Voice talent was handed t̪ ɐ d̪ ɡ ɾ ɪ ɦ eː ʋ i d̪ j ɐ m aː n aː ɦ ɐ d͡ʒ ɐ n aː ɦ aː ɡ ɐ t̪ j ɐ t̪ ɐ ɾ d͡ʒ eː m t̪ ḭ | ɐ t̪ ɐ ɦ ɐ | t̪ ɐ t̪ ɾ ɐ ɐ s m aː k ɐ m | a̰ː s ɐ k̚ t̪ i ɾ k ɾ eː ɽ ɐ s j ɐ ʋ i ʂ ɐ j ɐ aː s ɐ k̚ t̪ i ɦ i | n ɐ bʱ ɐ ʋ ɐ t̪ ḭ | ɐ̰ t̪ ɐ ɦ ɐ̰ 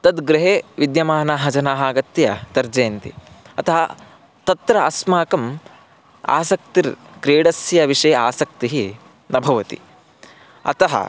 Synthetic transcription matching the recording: t̪ ɐ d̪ ɡ ɾ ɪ ɦ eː ʋ i d̪ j ɐ m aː n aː ɦ ɐ d͡ʒ ɐ n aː ɦ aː ɡ ɐ t̪ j ɐ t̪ ɐ ɾ d͡ʒ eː n t̪ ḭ | ɐ t̪ ɐ ɦ ɐ | t̪ ɐ t̪ ɾ ɐ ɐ s m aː k ɐ m | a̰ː s ɐ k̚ t̪ i ɾ k ɾ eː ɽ ɐ s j ɐ ʋ i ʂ ɐ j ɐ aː s ɐ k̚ t̪ i ɦ i | n ɐ bʱ ɐ ʋ ɐ t̪ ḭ | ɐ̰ t̪ ɐ ɦ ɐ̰